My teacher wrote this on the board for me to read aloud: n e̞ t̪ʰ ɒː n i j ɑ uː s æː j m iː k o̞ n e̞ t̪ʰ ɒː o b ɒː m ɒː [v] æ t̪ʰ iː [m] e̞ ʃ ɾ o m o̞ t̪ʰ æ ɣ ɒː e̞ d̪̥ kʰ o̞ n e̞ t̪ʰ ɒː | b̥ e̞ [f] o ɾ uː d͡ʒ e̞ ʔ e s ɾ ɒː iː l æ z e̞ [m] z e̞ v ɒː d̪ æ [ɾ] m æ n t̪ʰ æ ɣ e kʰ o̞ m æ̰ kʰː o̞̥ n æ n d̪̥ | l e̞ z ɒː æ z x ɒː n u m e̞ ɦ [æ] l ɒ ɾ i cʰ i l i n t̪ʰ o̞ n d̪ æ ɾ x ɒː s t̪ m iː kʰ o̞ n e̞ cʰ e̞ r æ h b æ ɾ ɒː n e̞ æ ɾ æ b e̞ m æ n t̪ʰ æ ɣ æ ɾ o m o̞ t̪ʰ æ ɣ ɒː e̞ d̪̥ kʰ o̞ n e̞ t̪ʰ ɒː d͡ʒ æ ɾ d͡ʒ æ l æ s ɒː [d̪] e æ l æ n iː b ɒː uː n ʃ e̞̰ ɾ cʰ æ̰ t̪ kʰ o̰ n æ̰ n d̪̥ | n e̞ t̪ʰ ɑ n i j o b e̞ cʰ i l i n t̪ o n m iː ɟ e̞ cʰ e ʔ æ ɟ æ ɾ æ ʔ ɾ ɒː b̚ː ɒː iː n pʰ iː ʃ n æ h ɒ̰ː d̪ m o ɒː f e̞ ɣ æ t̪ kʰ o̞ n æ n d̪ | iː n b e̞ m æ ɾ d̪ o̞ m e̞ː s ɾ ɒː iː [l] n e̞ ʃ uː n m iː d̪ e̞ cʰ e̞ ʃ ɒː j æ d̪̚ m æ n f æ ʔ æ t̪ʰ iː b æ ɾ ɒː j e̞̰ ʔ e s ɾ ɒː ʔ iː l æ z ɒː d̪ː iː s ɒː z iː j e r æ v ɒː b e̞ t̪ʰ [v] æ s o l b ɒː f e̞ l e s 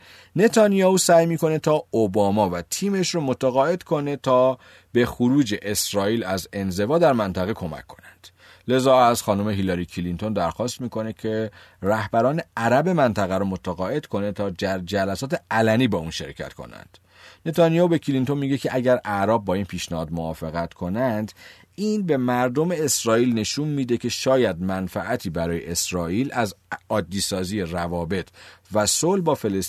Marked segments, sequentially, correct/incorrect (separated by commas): correct, correct, incorrect, incorrect, correct, incorrect, incorrect, correct, correct